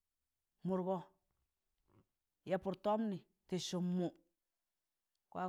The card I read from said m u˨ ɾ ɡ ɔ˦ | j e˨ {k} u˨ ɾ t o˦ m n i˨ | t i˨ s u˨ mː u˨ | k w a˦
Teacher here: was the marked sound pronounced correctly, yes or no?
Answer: no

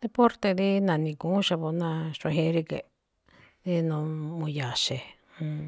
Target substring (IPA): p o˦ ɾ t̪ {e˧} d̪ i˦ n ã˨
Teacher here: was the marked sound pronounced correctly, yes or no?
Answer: yes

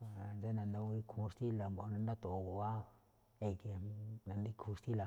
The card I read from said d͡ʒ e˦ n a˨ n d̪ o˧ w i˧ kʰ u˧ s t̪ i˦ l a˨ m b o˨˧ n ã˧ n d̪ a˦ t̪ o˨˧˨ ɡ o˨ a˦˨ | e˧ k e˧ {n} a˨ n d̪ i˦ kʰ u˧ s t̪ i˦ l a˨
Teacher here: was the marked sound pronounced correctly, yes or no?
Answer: yes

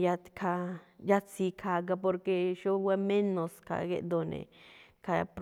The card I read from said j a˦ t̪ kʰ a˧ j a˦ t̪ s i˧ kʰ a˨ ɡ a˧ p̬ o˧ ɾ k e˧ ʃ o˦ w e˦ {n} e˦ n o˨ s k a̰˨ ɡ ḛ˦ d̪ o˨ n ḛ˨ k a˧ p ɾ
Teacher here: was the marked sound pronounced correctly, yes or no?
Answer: no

